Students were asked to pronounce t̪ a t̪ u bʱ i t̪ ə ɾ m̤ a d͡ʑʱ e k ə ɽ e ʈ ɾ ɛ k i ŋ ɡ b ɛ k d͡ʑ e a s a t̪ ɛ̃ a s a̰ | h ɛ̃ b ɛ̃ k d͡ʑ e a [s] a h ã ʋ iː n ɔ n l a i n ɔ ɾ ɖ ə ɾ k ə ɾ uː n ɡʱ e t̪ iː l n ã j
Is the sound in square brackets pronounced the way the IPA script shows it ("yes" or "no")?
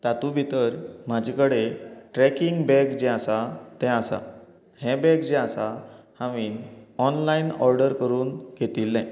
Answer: yes